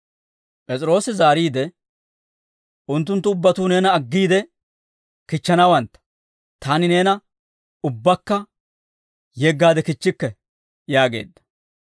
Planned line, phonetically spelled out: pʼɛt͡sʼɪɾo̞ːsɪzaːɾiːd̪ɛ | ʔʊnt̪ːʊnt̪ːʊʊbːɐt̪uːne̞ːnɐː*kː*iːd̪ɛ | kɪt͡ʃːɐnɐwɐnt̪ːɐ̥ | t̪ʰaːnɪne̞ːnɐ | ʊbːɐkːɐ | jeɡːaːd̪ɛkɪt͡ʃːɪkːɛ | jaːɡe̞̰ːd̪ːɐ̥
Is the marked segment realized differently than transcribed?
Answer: yes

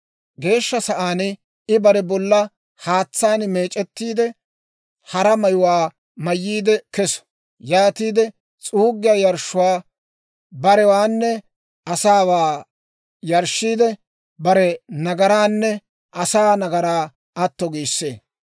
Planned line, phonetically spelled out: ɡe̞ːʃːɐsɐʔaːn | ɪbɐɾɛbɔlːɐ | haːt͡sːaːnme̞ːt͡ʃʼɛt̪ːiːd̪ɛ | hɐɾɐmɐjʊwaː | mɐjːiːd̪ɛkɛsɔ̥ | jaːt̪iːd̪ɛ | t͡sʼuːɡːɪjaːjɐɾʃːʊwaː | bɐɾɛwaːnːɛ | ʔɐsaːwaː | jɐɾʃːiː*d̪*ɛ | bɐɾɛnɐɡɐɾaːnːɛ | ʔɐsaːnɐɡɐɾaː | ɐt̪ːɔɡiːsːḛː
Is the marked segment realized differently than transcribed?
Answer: no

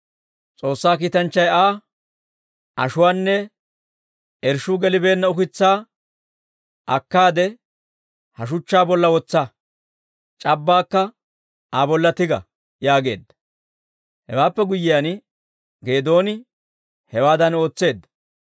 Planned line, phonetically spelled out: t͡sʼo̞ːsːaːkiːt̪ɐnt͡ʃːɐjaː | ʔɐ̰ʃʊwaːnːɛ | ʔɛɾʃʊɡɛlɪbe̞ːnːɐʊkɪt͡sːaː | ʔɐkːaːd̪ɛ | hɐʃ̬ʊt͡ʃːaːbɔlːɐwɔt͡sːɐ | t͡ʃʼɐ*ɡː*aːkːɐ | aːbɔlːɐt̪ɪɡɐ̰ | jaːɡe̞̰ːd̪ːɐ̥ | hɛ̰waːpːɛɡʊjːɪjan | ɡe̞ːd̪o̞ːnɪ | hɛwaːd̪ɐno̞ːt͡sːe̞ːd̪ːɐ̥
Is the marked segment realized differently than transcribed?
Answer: yes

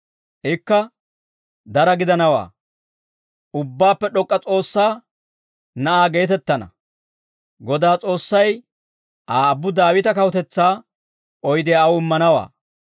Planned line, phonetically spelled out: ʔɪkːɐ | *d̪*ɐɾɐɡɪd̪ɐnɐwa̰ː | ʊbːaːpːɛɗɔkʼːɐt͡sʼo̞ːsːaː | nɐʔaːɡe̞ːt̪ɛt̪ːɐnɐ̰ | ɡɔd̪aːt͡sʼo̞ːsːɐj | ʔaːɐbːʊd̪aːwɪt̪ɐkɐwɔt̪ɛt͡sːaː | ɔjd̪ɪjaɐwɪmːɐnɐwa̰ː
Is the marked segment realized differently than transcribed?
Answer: no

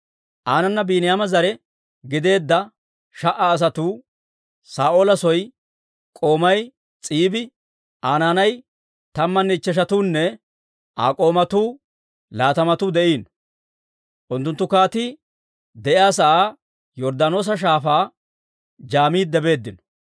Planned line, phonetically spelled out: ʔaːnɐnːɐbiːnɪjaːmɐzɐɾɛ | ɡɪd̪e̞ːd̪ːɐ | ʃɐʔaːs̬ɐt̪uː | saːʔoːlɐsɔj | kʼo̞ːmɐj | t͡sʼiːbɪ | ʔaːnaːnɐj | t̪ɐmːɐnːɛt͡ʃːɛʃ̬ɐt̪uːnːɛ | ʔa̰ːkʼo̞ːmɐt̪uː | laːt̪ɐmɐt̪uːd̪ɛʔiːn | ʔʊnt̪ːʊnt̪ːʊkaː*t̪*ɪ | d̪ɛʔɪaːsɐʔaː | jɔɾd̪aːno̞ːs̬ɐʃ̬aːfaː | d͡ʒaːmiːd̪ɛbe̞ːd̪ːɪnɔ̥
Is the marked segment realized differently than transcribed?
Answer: no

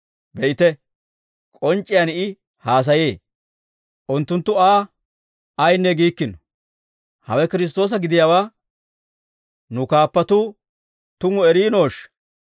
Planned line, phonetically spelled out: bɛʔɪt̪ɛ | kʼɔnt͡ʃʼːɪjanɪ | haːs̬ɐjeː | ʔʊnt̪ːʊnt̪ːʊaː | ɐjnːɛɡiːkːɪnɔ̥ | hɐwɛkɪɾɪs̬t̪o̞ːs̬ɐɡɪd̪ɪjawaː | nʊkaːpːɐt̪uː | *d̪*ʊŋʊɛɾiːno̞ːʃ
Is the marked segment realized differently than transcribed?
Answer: yes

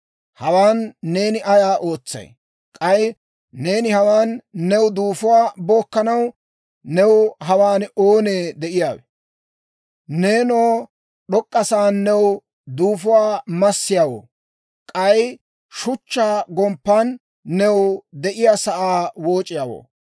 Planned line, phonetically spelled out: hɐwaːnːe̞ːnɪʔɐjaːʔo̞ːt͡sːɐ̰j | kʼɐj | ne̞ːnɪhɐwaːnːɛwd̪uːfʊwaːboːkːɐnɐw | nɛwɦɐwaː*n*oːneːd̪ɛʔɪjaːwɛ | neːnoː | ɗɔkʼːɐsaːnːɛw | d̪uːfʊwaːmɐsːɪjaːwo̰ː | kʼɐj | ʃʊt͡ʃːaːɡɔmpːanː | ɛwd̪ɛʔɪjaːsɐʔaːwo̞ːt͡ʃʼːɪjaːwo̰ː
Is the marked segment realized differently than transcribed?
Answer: no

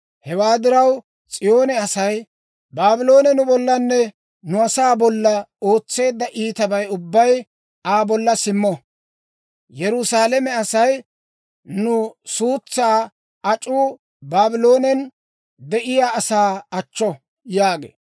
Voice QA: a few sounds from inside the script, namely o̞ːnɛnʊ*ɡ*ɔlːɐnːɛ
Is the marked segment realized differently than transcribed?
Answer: yes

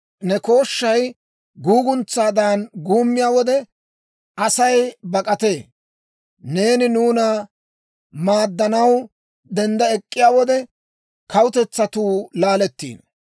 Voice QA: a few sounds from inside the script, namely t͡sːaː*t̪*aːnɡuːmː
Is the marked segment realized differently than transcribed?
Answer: yes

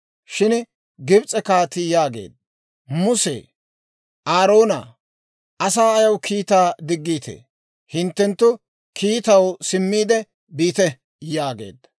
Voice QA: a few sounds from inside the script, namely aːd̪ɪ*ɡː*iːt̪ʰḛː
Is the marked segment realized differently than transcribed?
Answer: no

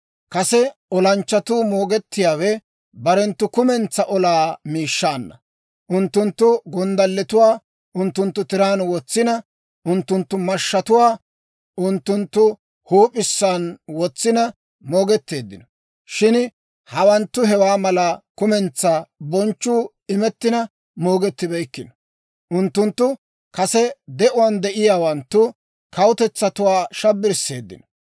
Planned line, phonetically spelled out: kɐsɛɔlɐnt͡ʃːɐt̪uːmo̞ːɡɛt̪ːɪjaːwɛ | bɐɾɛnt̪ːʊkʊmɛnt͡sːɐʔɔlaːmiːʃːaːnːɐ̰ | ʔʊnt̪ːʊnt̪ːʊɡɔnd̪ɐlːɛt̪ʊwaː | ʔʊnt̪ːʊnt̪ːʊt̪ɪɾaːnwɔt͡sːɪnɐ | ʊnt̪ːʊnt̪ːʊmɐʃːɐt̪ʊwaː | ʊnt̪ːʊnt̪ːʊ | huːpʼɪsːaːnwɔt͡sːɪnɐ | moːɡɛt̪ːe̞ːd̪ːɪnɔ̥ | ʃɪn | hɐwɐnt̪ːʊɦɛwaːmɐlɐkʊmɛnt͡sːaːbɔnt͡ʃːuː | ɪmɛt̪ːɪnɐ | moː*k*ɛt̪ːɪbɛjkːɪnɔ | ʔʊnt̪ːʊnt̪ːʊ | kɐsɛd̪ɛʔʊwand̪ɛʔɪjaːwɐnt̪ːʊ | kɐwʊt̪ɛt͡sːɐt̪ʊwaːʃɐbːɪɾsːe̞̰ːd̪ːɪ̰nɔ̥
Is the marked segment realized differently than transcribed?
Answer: yes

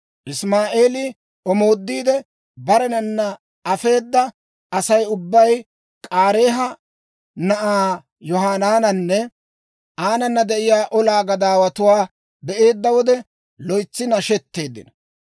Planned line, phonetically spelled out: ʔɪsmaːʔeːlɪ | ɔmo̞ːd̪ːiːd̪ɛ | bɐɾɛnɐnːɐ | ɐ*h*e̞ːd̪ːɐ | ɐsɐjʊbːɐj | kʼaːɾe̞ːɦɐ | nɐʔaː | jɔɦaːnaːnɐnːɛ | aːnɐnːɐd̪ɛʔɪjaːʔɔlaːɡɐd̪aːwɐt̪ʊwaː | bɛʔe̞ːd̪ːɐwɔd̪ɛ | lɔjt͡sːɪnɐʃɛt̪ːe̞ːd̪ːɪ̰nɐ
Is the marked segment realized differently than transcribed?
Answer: yes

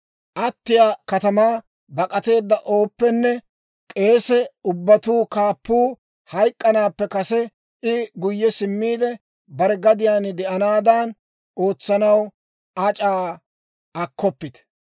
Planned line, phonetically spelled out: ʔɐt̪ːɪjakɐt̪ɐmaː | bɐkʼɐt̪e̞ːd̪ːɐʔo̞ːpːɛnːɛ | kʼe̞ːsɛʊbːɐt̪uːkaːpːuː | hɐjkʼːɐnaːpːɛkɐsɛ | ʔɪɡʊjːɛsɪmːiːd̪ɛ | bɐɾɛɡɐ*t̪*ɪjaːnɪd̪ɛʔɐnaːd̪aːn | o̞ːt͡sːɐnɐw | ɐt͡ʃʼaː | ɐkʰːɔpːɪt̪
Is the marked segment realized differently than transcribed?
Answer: yes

